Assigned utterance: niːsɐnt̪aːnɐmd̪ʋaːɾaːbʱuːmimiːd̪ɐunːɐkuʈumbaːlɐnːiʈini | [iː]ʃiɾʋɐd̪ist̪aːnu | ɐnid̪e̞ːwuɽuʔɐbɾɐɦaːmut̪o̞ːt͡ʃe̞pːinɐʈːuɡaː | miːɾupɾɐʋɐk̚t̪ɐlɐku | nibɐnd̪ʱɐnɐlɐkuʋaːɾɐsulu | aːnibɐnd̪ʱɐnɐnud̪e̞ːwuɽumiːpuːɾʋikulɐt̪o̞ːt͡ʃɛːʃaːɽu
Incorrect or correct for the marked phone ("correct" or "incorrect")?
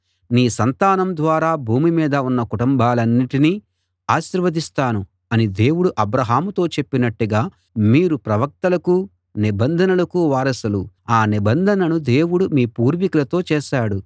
incorrect